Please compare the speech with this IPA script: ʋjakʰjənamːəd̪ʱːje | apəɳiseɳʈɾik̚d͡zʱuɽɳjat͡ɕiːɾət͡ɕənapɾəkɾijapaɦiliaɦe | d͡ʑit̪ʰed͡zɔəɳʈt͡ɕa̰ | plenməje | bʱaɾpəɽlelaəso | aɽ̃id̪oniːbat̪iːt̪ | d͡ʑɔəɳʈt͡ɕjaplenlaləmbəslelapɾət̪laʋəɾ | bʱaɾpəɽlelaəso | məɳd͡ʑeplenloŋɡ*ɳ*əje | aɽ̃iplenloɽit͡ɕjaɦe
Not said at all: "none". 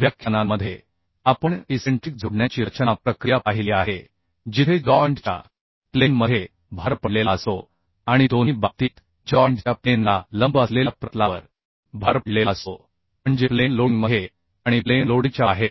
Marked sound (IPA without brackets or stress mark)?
m